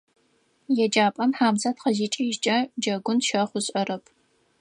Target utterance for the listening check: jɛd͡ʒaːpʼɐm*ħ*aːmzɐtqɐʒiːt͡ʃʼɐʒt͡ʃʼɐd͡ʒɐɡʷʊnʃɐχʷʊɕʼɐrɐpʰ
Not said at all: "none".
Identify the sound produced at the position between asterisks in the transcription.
ħ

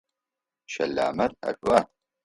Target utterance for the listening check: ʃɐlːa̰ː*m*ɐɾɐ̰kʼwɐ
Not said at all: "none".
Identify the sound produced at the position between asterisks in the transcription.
m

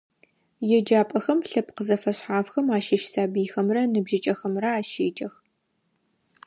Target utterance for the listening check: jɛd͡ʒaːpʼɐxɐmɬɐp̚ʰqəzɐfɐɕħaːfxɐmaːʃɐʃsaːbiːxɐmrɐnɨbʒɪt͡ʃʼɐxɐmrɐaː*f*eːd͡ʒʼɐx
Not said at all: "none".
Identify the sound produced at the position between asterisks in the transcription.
ʃ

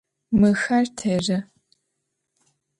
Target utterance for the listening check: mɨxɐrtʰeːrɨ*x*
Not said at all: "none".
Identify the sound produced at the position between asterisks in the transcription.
none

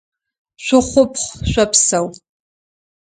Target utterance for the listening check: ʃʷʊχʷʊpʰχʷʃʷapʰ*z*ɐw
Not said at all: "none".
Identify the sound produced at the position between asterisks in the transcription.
s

